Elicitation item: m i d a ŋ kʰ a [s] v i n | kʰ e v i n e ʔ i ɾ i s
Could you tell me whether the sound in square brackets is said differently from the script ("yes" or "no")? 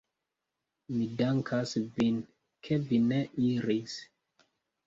no